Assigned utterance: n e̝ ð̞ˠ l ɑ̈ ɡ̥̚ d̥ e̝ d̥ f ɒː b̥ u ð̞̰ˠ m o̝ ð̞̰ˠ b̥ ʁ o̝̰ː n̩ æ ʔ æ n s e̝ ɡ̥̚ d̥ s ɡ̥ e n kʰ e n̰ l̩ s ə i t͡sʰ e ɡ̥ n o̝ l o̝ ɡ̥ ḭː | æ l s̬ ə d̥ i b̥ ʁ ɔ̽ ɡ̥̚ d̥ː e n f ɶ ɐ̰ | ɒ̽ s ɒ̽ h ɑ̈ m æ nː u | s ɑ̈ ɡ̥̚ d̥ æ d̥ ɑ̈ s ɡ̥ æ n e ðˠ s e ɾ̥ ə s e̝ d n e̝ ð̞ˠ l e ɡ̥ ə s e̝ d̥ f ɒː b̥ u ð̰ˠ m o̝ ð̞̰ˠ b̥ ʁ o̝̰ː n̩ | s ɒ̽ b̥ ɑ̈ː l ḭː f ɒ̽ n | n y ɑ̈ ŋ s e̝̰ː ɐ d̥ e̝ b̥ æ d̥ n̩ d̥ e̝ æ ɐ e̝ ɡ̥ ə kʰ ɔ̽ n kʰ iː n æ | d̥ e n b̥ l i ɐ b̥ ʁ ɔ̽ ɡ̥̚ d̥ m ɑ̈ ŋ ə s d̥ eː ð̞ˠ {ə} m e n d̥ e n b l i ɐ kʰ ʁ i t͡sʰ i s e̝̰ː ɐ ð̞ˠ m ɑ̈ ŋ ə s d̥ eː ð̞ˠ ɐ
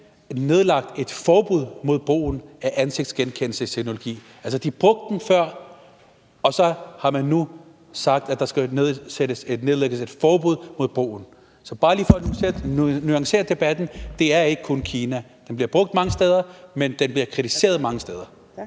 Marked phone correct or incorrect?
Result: incorrect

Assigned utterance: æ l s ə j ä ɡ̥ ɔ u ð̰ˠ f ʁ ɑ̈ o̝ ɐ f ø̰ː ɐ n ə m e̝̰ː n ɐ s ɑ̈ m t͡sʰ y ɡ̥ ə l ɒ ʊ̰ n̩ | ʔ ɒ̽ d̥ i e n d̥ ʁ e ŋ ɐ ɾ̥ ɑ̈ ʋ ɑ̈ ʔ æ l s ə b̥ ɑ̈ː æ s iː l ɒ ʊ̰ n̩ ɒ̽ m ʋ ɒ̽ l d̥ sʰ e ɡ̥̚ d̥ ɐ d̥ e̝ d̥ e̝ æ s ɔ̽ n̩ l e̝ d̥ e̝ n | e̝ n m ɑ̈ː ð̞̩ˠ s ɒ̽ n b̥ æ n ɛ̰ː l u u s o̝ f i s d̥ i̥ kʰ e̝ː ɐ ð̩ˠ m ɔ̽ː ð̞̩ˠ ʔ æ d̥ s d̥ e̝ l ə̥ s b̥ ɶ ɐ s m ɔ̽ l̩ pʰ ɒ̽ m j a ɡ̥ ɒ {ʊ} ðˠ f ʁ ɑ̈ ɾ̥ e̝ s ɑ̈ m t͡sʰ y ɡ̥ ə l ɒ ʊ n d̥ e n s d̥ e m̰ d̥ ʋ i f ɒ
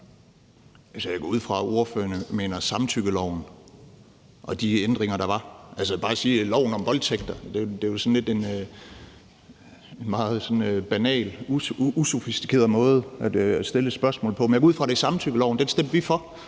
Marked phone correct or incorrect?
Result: incorrect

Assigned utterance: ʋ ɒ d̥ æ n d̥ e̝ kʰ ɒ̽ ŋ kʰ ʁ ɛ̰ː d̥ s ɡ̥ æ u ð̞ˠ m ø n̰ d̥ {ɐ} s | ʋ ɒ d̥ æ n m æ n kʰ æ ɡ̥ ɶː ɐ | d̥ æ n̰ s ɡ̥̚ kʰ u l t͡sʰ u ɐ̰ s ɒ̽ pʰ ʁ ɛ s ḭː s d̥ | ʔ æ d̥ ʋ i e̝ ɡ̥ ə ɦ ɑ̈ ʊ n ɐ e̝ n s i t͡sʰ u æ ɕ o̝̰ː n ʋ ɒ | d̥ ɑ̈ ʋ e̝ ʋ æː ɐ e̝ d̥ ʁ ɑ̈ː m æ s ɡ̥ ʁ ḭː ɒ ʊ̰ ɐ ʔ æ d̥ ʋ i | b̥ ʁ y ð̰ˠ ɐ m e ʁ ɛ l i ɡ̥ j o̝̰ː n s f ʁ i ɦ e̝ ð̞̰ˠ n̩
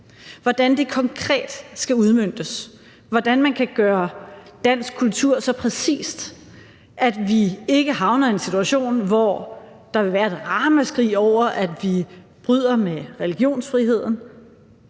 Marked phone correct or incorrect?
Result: incorrect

